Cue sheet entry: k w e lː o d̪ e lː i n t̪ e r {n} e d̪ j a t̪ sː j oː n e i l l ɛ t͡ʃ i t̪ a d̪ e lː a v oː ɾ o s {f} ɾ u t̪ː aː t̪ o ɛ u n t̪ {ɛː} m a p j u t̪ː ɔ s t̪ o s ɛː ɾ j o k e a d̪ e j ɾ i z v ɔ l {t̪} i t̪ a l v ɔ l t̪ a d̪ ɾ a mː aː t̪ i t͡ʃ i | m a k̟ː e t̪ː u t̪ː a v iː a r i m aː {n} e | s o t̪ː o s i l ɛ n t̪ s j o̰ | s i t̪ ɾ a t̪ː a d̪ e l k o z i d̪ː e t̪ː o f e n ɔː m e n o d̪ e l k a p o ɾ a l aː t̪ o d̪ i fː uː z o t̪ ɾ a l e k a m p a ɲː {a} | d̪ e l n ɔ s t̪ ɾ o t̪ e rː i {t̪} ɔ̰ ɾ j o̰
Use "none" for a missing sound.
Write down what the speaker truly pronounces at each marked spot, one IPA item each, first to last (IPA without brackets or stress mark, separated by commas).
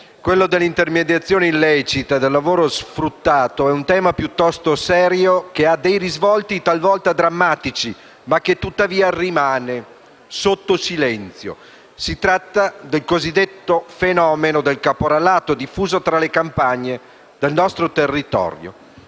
m, f, ɛː, t̪, n, e, t̪